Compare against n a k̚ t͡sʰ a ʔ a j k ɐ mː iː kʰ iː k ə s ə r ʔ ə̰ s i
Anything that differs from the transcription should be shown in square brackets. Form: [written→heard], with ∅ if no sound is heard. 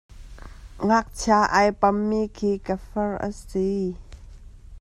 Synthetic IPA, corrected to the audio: [n→ŋ] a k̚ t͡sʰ a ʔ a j [k→p] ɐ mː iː kʰ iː k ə [s→f] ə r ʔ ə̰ s i